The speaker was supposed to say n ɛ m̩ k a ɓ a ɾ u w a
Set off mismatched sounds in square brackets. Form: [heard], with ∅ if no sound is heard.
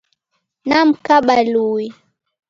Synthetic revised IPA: n [a] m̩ k a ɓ a [l] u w [i]